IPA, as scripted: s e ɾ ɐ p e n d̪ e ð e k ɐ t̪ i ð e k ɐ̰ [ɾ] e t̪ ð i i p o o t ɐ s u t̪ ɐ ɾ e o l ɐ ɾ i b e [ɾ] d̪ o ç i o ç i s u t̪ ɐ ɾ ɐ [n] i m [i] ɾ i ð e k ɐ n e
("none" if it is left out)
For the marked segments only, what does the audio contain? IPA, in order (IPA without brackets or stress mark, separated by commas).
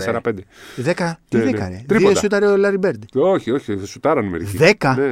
ɾ, ɾ, n, e